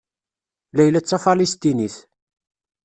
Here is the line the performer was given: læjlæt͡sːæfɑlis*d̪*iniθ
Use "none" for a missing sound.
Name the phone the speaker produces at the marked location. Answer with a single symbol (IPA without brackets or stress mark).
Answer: t̪